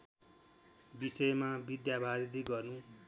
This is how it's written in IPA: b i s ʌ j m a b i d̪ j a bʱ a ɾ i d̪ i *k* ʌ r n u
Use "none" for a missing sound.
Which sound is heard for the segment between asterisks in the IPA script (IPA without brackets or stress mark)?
ɡ